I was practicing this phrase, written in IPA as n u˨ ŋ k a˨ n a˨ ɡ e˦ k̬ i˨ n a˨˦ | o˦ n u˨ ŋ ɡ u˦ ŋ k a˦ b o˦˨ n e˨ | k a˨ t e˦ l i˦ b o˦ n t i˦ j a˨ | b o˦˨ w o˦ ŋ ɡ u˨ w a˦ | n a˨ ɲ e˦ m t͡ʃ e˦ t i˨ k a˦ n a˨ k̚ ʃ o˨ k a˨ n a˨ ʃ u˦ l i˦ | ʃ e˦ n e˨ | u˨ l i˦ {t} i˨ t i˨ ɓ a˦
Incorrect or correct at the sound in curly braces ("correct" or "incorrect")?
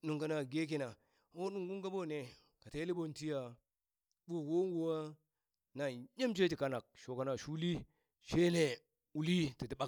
correct